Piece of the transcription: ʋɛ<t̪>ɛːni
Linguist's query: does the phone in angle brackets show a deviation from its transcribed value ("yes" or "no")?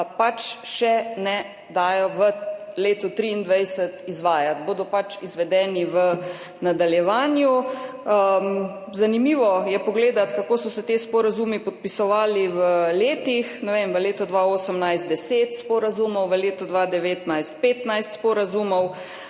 yes